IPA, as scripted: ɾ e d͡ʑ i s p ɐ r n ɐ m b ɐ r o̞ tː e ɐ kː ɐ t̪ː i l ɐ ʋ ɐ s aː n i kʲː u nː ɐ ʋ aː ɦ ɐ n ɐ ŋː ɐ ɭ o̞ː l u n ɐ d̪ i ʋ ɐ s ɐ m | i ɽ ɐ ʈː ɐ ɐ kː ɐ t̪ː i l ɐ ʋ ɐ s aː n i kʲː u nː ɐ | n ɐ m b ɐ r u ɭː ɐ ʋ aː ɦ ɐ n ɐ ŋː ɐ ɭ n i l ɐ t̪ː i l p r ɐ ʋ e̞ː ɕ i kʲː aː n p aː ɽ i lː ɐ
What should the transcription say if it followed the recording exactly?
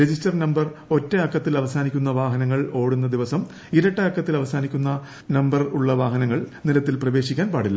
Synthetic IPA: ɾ e d͡ʑ i s t ɐ r n ɐ m b ɐ r o̞ tː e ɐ kː ɐ t̪ː i l ɐ ʋ ɐ s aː n i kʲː u nː ɐ ʋ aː ɦ ɐ n ɐ ŋː ɐ ɭ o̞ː ɽ u nː ɐ d̪ i ʋ ɐ s ɐ m | i ɾ ɐ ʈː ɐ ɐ kː ɐ t̪ː i l ɐ ʋ ɐ s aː n i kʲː u nː ɐ | n ɐ m b ɐ r u ɭː ɐ ʋ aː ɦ ɐ n ɐ ŋː ɐ ɭ n i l ɐ t̪ː i l p r ɐ ʋ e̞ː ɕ i kʲː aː n p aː ɽ i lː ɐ